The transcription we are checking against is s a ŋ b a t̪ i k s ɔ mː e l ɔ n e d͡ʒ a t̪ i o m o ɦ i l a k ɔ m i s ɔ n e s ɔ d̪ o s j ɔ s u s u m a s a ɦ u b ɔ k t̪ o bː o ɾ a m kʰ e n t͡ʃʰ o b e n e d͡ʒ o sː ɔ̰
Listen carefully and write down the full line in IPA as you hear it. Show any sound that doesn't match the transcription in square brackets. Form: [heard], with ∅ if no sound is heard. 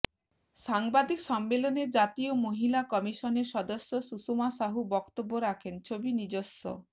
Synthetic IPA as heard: s a ŋ b a [d̪] i k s ɔ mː e l ɔ n e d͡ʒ a t̪ i o m o ɦ i l a k ɔ m i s ɔ n e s ɔ d̪ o s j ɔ s u s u m a s a ɦ u b ɔ k t̪ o bː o ɾ a [∅] kʰ e n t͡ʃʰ o b [i] n [i] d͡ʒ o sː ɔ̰